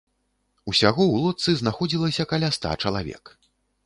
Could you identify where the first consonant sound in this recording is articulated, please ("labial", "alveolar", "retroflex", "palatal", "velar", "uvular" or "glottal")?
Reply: alveolar